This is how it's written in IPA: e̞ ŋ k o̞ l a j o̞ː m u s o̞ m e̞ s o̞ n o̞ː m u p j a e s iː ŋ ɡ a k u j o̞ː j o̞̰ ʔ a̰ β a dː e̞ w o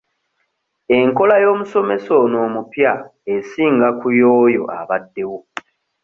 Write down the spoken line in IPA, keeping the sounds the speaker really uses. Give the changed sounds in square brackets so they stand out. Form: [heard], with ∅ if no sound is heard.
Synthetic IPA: e̞ ŋ k o̞ l a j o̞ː m u s o̞ m e̞ s o̞ n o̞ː m u p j a e s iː ŋ ɡ a k u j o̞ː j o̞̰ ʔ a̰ β a dː e̞ w o